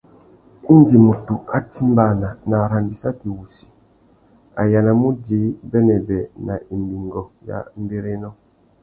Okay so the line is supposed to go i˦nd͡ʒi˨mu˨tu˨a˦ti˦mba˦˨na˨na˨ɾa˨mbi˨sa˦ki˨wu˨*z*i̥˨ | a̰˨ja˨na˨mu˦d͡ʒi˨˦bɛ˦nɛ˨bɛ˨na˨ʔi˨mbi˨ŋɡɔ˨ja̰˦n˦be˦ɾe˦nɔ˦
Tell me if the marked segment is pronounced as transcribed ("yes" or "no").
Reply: no